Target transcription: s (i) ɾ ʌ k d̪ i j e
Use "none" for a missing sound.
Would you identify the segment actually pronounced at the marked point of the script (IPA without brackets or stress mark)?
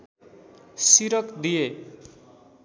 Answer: i